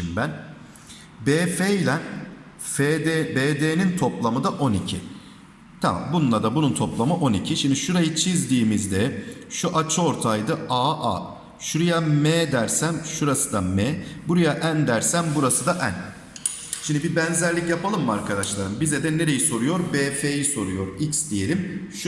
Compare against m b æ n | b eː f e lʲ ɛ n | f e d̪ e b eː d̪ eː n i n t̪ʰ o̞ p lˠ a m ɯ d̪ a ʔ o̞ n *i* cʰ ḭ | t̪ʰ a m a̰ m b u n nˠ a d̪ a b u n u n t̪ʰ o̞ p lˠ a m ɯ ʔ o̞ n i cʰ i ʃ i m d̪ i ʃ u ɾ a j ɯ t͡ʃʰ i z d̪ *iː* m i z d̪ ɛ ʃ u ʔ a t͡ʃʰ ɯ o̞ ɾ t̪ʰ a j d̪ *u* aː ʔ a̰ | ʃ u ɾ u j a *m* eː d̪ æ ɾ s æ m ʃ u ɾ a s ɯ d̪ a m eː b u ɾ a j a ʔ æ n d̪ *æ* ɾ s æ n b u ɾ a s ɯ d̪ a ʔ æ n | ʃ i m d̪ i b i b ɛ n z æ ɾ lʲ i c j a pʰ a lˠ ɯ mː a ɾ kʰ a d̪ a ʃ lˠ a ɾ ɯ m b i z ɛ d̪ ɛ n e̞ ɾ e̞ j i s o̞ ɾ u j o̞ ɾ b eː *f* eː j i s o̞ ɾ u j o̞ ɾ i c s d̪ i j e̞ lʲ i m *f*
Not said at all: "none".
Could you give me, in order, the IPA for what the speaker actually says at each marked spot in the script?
i, iː, ɯ, m, æ, f, ʃ

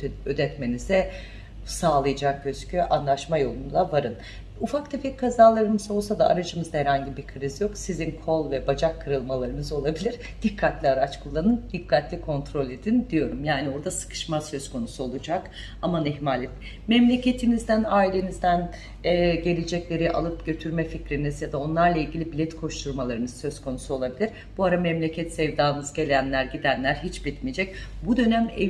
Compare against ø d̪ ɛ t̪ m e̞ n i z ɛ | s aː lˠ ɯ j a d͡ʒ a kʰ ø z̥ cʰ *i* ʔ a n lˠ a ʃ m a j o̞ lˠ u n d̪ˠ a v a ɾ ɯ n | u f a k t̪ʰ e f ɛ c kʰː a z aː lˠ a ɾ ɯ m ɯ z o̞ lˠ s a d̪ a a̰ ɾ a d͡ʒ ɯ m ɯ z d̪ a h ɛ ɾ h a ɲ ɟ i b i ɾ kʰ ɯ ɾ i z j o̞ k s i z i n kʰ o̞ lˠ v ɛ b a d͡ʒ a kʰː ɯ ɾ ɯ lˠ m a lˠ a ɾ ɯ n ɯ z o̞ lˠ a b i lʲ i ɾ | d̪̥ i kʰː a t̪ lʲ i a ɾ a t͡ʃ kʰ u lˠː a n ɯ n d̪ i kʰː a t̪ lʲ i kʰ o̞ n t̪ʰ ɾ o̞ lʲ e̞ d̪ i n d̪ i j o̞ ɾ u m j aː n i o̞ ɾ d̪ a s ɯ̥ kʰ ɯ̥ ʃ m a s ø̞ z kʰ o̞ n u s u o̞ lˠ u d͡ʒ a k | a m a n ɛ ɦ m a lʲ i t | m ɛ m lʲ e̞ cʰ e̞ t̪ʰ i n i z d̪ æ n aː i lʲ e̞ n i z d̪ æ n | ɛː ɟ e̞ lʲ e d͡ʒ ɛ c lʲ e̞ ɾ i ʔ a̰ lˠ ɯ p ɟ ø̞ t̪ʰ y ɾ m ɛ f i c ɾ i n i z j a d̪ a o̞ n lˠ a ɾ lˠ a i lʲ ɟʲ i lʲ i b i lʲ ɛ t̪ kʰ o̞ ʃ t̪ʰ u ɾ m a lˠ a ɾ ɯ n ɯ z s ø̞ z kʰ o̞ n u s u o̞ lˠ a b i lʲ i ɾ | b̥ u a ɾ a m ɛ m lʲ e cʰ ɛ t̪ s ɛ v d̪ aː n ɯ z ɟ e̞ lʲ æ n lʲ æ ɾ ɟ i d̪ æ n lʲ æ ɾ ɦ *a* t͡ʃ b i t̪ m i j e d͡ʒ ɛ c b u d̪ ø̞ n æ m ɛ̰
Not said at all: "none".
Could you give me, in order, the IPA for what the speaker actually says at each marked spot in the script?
y, i

